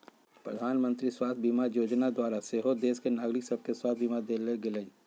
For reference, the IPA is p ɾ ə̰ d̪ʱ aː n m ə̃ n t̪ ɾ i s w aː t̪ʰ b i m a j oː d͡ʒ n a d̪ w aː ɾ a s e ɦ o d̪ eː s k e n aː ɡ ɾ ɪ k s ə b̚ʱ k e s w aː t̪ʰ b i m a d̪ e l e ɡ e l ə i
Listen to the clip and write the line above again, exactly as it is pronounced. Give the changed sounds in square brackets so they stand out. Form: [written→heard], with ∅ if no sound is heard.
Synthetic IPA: p ɾ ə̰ d̪ʱ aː n m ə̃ n t̪ ɾ i s w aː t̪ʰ b i m a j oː d͡ʒ n a d̪ w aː ɾ a s e ɦ o d̪ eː s k e n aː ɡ ɾ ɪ k s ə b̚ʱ k e s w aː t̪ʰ b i m a d̪ e l e ɡ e l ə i